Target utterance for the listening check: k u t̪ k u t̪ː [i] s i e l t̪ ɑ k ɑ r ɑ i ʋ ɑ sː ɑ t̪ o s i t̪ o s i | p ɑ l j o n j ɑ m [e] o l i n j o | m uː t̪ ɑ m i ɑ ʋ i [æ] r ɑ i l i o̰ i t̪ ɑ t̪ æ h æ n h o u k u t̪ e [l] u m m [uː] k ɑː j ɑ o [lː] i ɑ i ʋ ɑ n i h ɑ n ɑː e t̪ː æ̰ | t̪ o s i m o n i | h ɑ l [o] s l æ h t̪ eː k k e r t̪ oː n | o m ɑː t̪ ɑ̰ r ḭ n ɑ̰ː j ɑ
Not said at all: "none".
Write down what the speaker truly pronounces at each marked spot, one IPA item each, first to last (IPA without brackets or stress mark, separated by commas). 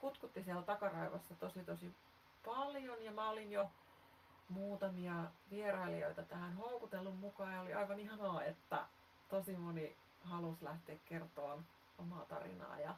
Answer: i, æ, e, lː, u, l, u